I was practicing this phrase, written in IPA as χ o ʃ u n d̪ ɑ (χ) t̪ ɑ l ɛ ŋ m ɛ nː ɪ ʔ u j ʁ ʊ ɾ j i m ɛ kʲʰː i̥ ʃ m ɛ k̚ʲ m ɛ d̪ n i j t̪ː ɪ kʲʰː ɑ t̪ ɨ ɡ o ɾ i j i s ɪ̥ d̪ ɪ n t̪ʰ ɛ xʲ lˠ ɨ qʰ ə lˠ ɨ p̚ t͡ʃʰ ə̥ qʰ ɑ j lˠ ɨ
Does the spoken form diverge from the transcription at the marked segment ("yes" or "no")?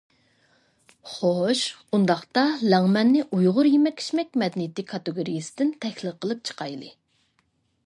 no